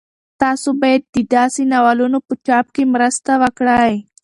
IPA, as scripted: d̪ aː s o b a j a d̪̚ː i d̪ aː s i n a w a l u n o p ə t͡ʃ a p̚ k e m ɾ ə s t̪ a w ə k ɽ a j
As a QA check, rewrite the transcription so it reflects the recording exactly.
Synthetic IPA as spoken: t̪ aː s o b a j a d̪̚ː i d̪ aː s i n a w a l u n o p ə t͡ʃ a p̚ k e m ɾ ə s t̪ a w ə k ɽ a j